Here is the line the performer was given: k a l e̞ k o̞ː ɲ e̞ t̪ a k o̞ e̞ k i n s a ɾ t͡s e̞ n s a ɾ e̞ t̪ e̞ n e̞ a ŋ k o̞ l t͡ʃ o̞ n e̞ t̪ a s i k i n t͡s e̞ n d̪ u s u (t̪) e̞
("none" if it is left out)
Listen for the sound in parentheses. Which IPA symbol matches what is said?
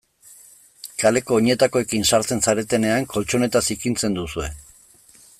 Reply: none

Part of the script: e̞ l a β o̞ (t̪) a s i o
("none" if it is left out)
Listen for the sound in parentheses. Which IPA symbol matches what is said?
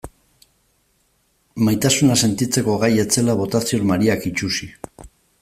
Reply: t̪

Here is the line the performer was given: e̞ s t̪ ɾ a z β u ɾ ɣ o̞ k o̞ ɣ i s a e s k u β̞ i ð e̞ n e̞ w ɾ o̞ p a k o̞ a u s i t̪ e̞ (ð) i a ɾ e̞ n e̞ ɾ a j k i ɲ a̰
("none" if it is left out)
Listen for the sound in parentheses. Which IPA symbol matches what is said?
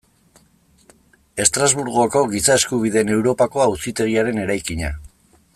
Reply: ɣ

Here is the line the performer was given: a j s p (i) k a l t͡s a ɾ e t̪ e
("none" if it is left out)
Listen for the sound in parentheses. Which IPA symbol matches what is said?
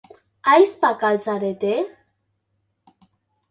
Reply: a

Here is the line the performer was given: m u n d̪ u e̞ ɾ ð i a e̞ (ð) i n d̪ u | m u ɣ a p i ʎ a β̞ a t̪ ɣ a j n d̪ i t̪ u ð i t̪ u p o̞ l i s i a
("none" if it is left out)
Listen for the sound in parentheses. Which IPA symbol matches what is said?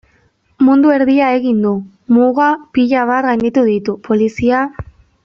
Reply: ɣ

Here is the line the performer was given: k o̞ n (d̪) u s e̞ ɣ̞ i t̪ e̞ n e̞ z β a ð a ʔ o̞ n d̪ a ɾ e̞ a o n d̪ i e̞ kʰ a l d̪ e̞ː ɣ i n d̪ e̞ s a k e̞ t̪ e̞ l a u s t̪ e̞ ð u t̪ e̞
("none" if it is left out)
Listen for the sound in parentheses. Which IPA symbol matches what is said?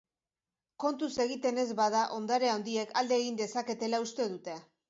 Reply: t̪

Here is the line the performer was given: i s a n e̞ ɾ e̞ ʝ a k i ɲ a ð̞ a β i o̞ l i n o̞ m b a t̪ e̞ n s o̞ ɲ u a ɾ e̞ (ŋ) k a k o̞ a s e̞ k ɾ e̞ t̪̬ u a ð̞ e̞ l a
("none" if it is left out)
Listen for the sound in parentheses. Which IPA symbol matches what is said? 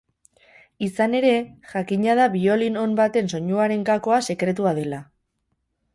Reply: ŋ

